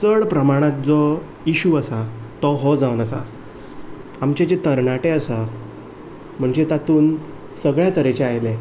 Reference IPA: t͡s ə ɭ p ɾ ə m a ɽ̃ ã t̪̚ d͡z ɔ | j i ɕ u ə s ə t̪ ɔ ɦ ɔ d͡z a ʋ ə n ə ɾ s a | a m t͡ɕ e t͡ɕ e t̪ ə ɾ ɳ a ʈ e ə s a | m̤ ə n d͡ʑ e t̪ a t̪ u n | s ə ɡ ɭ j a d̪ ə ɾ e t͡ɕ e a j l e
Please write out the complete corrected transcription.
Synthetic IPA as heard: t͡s ə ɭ p ɾ ə m a ɽ̃ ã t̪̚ d͡z ɔ | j i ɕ u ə s a t̪ ɔ ɦ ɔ d͡z a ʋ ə n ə s a | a m t͡ɕ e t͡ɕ e t̪ ə ɾ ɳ a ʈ e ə s a | m̤ ə ɳ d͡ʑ e t̪ a t̪ uː n | s ə ɡ ɭ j a t̪ ə ɾ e t͡ɕ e a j l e

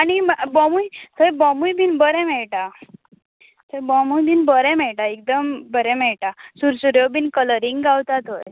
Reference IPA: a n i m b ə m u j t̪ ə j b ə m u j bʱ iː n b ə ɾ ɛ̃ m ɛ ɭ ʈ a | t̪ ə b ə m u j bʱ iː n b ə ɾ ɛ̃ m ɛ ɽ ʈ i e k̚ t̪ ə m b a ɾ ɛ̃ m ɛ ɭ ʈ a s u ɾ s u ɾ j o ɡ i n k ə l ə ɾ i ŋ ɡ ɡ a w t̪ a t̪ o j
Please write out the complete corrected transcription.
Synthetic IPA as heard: a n i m b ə m u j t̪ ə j b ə m u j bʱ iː n b ə ɾ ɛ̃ m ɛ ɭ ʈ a | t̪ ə b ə m u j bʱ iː n b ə ɾ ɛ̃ m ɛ ɭ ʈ a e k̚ d̪ ə m b ə ɾ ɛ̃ m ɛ ɭ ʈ a s u ɾ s u ɾ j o b i n k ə l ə ɾ i ŋ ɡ ɡ a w t̪ a t̪ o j

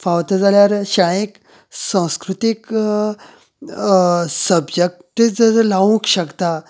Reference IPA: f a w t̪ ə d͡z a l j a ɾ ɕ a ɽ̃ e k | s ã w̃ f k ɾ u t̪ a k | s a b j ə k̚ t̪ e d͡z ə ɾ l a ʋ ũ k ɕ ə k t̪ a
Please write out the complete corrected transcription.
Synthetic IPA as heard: f a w t̪ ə d͡z a l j a ɾ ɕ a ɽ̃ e k | s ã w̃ s k ɾ u t̪ i k | s ə b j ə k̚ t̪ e d͡z ə ɾ l a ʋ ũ k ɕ ə k t̪ a

